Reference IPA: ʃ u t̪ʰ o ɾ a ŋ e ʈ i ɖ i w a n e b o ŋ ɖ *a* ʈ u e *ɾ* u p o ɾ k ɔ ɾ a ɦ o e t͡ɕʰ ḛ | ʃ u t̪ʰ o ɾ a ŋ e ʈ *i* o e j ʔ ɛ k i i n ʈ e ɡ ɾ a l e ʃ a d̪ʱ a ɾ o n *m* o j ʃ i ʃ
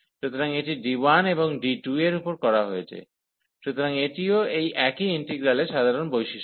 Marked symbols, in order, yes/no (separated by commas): no, yes, yes, no